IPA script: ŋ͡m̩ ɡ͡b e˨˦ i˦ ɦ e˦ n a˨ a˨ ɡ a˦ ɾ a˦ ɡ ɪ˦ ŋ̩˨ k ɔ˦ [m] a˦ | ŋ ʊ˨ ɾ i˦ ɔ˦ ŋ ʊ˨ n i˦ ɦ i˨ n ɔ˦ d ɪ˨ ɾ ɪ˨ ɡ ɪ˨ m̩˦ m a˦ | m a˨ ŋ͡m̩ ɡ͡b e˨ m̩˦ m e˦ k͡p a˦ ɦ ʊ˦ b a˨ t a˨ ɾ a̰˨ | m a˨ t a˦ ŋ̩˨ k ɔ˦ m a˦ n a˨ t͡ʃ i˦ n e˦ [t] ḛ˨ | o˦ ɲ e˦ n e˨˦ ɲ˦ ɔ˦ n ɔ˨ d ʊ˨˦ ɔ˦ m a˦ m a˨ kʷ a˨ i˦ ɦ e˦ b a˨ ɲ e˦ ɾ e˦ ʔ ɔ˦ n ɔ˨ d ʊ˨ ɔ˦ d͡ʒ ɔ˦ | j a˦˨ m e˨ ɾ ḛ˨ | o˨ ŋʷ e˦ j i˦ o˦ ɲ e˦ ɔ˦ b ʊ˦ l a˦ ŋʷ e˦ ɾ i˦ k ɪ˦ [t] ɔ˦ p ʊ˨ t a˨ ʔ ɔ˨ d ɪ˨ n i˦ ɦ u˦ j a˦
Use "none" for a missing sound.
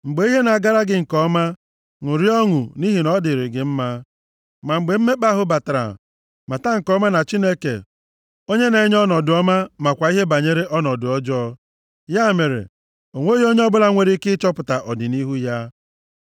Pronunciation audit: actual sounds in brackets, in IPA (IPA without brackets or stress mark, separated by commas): m, k, t͡ʃ